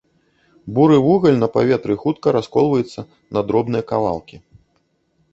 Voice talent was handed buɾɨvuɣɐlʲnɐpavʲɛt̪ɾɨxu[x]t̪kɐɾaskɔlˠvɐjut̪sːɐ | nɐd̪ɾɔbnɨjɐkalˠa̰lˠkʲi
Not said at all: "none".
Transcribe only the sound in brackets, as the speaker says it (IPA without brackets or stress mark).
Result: none